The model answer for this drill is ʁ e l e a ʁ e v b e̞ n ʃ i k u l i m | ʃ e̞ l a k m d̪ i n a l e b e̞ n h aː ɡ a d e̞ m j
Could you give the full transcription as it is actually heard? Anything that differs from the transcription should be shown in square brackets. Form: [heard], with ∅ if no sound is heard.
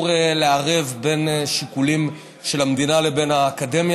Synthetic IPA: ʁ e l e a ʁ e v b e̞ n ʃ i k u l i m | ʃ e̞ l a [∅] m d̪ i n a l e b e̞ n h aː [k] a d e̞ m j